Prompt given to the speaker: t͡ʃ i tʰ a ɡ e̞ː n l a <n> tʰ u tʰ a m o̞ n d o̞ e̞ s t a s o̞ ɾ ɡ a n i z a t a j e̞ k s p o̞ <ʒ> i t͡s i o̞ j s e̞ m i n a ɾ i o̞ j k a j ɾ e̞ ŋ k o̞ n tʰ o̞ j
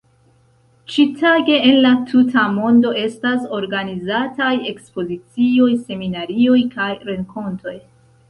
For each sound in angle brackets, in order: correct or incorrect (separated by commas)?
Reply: incorrect, incorrect